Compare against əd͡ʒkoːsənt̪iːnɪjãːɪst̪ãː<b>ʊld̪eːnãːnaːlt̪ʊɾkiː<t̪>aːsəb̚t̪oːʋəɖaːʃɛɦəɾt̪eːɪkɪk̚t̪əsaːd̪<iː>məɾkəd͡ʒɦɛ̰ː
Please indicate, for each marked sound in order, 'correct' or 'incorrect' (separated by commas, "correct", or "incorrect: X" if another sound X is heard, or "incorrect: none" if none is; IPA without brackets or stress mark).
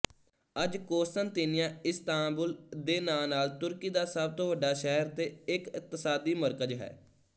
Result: correct, incorrect: d̪, correct